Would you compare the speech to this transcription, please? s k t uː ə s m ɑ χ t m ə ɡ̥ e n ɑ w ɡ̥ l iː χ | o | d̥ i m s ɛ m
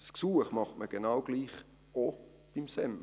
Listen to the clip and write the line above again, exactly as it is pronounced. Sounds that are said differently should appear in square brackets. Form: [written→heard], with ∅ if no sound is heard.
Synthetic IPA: s k [t→s] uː ə [s→χ] m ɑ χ t m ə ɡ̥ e n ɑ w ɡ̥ l iː χ | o | [d̥→b̥] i m s ɛ m